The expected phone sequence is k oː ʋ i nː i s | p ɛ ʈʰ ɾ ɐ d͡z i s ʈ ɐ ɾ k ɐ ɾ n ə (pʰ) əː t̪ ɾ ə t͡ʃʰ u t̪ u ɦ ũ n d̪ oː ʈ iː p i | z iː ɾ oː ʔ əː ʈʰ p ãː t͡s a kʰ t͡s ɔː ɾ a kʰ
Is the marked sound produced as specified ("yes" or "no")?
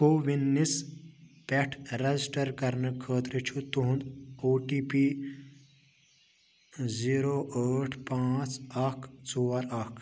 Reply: no